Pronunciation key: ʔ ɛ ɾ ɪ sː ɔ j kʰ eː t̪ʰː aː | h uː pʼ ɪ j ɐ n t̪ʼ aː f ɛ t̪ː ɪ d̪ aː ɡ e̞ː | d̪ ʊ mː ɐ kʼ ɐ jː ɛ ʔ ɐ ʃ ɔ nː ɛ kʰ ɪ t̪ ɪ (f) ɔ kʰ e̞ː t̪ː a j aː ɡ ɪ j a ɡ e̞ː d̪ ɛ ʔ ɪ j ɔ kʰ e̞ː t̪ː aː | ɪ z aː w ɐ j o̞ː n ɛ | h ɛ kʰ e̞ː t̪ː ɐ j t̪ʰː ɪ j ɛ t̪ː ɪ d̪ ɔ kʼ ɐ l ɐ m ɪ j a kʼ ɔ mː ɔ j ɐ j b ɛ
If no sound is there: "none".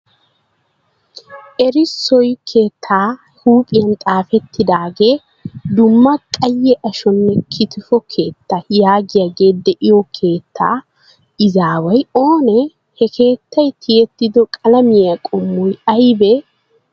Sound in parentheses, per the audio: f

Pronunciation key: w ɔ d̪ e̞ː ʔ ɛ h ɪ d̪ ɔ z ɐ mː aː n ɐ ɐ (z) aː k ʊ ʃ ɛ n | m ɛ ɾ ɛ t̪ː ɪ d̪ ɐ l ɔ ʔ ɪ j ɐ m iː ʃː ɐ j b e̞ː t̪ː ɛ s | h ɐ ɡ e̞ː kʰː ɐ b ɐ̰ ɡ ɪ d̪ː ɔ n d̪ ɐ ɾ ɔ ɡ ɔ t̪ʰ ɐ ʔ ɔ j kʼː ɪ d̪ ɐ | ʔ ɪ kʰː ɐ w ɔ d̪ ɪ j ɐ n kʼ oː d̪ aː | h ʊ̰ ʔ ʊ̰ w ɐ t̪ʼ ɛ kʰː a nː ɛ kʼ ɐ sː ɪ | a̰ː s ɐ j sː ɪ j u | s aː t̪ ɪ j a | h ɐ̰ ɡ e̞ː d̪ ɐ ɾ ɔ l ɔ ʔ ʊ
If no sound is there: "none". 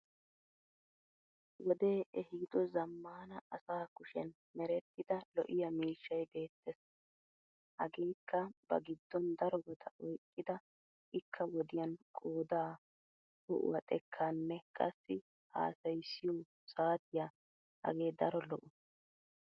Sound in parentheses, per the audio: s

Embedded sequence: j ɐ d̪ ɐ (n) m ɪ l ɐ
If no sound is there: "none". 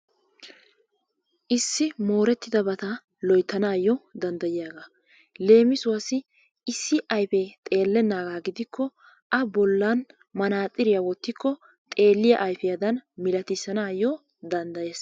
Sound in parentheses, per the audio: n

